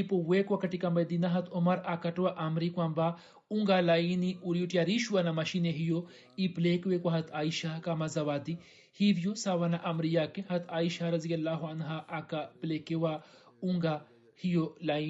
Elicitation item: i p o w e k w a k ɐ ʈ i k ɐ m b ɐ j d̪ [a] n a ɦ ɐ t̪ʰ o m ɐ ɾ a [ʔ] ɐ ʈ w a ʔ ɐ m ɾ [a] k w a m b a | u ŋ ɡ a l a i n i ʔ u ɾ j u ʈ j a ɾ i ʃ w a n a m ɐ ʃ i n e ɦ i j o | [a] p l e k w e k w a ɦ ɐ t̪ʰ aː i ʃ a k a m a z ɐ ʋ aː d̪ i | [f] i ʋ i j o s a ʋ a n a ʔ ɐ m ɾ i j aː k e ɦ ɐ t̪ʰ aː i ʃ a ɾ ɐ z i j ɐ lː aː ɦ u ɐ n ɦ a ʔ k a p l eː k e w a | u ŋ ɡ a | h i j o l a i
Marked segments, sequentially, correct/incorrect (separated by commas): incorrect, incorrect, incorrect, incorrect, incorrect